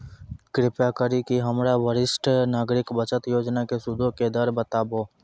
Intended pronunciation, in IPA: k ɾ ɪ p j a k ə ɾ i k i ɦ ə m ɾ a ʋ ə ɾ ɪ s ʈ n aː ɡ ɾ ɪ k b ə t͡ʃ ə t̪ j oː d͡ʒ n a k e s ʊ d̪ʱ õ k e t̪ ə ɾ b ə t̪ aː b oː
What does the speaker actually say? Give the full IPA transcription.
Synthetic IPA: k ɾ ɪ p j a k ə ɾ i k i ɦ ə m ɾ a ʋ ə ɾ ɪ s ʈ n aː ɡ ɾ ɪ k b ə t͡ʃ ə t̪ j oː d͡ʒ n a k e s ʊ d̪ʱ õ k e d̪ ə ɾ b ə t̪ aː b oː